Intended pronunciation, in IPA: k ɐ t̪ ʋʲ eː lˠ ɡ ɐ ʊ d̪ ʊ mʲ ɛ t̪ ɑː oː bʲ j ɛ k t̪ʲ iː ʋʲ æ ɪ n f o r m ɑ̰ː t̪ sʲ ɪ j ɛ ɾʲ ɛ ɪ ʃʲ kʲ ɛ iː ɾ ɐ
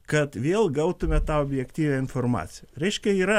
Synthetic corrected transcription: k ɐ t̪ ʋʲ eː lˠ ɡ ɐ ʊ t̪ ʊ mʲ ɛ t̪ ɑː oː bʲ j ɛ k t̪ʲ iː ʋʲ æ ɪ n f o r m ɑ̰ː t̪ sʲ ɪ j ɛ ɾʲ ɛ ɪ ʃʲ kʲ ɛ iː ɾ ɐ